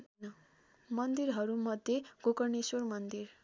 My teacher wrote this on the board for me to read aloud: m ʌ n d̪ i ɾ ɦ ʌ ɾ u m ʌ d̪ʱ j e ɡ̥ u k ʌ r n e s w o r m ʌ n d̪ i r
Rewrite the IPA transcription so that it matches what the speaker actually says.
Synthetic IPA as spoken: m ʌ n d̪ i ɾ ɦ ʌ ɾ u m ʌ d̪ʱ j e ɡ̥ o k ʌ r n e s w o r m ʌ n d̪ i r